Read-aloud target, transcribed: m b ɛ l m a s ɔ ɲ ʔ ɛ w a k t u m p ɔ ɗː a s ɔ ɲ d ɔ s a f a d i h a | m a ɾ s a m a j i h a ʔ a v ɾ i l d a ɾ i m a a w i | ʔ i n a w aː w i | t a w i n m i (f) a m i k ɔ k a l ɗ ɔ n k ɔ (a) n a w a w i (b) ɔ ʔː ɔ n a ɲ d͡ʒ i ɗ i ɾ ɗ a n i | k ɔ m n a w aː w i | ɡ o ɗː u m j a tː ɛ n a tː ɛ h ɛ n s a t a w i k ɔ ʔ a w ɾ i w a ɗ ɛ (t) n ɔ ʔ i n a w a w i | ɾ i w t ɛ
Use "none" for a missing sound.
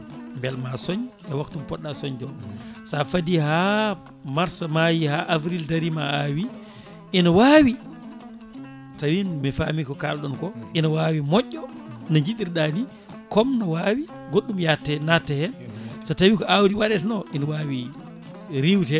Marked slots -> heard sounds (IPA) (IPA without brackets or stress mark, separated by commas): f, i, m, t